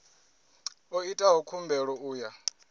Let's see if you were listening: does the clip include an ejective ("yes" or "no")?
yes